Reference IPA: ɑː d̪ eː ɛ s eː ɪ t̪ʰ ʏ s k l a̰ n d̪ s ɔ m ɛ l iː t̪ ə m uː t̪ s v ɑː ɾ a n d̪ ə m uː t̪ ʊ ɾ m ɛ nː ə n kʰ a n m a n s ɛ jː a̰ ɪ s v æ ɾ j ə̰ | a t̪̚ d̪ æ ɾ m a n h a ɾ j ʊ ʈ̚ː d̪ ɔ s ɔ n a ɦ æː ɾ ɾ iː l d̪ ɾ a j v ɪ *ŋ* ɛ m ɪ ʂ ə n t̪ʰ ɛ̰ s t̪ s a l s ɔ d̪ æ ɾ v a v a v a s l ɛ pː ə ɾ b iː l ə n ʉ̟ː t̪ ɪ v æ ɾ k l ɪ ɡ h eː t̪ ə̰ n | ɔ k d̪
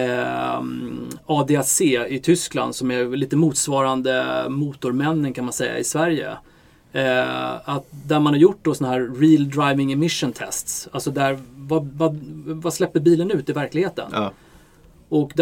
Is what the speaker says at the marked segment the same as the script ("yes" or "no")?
yes